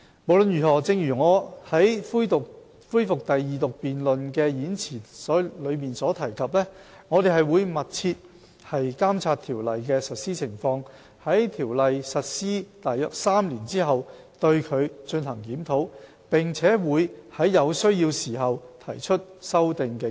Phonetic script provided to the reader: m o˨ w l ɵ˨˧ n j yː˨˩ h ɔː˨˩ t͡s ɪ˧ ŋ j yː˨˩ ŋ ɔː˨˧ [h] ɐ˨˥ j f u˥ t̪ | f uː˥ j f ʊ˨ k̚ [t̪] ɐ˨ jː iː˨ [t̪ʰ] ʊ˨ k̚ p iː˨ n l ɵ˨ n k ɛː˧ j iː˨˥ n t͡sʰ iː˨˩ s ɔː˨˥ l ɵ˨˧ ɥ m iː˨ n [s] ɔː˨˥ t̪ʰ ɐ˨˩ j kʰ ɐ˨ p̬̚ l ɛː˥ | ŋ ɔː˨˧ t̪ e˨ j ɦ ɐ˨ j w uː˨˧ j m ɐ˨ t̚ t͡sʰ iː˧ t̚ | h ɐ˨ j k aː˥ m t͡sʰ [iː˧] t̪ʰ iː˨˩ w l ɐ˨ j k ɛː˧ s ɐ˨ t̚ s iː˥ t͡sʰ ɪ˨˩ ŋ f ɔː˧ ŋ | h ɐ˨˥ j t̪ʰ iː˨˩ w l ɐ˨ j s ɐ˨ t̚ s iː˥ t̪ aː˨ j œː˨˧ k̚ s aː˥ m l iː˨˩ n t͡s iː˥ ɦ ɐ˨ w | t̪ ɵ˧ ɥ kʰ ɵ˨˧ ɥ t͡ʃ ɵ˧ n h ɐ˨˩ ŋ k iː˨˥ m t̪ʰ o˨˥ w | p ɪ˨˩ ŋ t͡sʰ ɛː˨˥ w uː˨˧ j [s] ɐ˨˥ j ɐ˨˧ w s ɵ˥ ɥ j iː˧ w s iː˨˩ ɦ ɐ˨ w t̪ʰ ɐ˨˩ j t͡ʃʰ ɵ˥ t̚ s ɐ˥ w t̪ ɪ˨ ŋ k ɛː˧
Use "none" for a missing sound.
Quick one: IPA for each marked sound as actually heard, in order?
h, t̪, t̪, s, aː˧, h

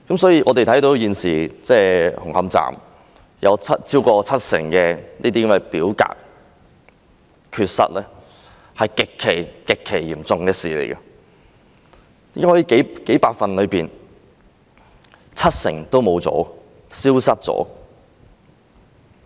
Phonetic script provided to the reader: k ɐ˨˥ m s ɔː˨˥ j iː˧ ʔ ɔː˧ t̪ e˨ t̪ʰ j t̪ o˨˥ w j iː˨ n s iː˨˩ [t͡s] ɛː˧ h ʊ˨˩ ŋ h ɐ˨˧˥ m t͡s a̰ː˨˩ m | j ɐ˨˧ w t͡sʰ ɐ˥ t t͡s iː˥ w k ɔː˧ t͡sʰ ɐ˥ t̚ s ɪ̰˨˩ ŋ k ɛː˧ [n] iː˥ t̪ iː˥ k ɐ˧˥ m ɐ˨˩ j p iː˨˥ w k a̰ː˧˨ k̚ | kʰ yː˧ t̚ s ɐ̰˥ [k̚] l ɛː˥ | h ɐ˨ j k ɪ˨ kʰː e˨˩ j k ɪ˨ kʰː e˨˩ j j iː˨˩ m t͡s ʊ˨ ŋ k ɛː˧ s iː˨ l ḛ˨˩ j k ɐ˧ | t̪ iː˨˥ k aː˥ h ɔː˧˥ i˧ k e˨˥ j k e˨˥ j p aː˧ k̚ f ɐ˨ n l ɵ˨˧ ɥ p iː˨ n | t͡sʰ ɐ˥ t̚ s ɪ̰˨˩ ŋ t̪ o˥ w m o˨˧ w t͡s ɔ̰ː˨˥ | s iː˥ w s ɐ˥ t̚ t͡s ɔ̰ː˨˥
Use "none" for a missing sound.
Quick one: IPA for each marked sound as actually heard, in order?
t͡s, n, t̚

